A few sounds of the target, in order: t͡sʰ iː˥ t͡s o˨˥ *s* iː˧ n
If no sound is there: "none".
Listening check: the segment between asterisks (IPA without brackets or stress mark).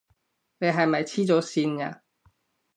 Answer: s